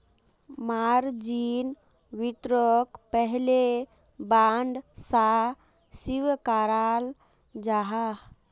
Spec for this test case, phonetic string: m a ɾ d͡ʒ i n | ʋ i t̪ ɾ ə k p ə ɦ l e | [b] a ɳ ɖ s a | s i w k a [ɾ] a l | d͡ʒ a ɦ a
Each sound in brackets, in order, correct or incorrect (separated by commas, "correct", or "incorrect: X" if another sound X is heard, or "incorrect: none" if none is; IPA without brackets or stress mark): correct, correct